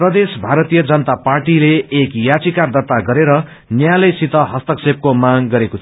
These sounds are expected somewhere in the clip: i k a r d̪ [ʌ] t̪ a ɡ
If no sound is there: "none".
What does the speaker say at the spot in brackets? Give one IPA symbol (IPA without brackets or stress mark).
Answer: ʌ